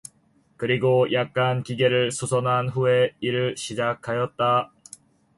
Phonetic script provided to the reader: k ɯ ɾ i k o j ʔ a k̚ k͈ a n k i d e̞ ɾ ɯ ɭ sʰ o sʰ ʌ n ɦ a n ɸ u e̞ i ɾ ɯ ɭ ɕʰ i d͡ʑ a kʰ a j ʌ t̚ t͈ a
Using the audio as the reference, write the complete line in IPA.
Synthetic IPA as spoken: k ɯ ɾ i ɡ o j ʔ a k̚ k͈ a n k i ɡ e̞ ɾ ɯ ɭ sʰ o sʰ ʌ n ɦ a n ɸ u e̞ i ɾ ɯ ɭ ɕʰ i d͡ʑ a kʰ a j ʌ t̚ t͈ a

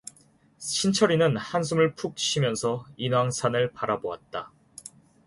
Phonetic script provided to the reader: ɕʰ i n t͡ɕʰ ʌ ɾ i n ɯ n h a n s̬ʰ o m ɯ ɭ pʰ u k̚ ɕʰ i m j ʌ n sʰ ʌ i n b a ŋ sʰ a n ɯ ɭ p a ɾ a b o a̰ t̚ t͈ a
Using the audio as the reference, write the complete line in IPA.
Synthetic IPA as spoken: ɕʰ i n t͡ɕʰ ʌ ɾ i n ɯ n h a n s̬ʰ u m ɯ ɭ pʰ u k̚ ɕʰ i m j ʌ n sʰ ʌ i n w a ŋ sʰ a n ɯ ɭ p a ɾ a b o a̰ t̚ t͈ a

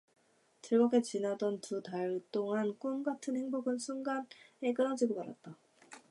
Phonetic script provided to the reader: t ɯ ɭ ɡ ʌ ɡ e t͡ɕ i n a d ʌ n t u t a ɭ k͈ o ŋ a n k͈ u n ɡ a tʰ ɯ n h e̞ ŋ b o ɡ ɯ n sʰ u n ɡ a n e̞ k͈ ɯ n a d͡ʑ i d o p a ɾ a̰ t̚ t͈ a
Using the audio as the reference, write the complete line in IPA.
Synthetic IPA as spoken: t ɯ ɭ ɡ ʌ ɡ e t͡ɕ i n a d ʌ n t u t a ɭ t͈ o ŋ a n k͈ u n ɡ a tʰ ɯ n h e̞ ŋ b o ɡ ɯ n sʰ u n ɡ a n e̞ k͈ ɯ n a d͡ʑ i ɡ o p a ɾ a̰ t̚ t͈ a

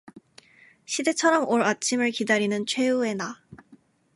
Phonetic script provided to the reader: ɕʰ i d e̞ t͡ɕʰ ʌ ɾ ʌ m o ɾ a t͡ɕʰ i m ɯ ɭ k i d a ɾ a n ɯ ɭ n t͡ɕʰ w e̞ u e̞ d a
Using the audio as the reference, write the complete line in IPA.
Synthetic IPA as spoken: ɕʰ i d e̞ t͡ɕʰ ʌ ɾ ʌ m o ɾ a t͡ɕʰ i m ɯ ɭ k i d a ɾ i n ɯ n t͡ɕʰ w e̞ u e̞ n a

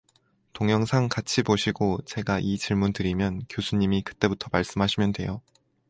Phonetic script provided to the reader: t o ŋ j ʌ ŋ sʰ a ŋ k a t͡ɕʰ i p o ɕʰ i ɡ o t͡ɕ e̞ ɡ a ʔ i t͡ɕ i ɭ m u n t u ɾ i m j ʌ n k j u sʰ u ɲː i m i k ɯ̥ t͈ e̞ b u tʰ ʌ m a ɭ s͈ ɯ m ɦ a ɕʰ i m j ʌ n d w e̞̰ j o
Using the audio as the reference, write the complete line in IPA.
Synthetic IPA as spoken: t o ŋ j ʌ ŋ sʰ a ŋ k a t͡ɕʰ i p o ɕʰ i ɡ o t͡ɕ e̞ ɡ a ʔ i t͡ɕ i ɭ m u n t ɯ ɾ i m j ʌ n k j o sʰ u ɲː i m i k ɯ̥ t͈ e̞ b u tʰ ʌ m a ɭ s͈ ɯ m ɦ a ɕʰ i m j ʌ n d w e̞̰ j o

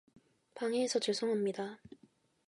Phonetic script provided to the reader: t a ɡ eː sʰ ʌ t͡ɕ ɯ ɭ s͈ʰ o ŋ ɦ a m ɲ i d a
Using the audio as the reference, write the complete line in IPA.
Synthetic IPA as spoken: p a ŋ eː sʰ ʌ t͡ɕ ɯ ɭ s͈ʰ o ŋ ɦ a m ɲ i d a

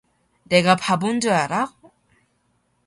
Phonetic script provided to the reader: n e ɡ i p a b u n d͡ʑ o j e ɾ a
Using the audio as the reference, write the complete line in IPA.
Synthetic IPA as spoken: n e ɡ a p a b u n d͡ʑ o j a ɾ a

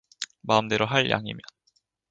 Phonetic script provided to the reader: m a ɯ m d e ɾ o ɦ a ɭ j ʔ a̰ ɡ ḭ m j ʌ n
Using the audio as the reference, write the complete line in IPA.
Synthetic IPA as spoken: m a ɯ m d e ɾ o ɦ a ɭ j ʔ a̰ ŋ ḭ m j ʌ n

